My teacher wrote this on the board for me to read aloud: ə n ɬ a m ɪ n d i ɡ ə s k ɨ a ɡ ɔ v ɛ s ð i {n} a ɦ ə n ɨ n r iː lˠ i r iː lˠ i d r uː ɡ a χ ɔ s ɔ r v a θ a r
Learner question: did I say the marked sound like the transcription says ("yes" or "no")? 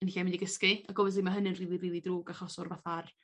no